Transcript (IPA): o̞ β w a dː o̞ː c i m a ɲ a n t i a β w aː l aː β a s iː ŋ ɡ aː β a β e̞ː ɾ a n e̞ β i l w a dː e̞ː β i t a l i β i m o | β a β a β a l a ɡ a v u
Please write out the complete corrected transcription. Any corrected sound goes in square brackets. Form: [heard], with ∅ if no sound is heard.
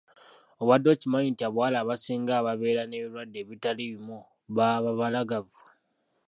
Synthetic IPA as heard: o̞ β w a dː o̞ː c i m a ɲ [i] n t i a β w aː l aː β a s iː ŋ ɡ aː β a β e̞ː ɾ a n e̞ β i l w a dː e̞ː β i t a l i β i m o | β a β a β a l a ɡ a v u